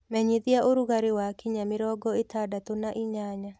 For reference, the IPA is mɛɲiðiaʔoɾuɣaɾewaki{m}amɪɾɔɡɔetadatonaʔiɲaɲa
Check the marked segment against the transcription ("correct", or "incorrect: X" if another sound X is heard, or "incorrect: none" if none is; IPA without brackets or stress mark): incorrect: ɲ